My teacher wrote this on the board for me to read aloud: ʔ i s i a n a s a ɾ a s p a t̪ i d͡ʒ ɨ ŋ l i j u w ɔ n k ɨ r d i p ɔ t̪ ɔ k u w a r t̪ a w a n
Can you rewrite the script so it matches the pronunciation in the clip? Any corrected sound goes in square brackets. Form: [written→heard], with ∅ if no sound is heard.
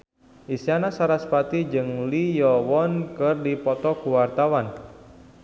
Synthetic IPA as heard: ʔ i s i a n a s a ɾ a s p a t̪ i d͡ʒ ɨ ŋ l i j [u→ɔ] w ɔ n k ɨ r d i p ɔ t̪ ɔ k u w a r t̪ a w a n